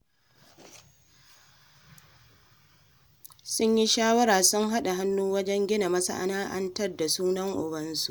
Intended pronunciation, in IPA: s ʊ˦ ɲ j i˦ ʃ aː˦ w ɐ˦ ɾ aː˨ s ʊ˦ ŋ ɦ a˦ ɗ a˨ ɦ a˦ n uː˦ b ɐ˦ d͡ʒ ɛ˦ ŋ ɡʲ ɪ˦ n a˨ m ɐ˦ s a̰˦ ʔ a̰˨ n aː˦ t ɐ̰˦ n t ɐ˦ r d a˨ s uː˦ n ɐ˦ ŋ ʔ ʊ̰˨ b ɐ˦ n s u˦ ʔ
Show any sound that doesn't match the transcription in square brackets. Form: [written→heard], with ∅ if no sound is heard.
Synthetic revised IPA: s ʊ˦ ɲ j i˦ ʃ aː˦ w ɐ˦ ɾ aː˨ s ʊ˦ ŋ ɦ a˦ ɗ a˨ ɦ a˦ [n→nː] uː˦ [b→w] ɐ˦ d͡ʒ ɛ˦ ŋ ɡʲ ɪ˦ n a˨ m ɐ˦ s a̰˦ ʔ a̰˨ n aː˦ [t→ʔ] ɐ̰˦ n t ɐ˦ r d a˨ s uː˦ n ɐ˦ ŋ ʔ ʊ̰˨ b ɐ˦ n s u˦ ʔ